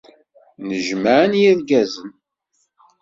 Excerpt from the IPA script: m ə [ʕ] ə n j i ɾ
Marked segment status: correct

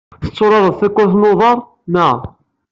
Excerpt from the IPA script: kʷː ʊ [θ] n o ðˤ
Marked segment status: correct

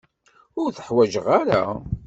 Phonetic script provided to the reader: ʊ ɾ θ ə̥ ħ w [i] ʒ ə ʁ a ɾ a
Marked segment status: incorrect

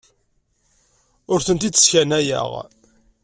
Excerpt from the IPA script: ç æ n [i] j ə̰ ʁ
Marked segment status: incorrect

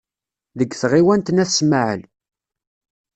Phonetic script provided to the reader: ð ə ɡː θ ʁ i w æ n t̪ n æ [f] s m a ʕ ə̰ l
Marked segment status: incorrect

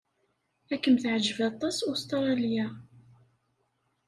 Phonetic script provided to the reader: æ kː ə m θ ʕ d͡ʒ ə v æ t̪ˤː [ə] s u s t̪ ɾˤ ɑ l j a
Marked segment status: incorrect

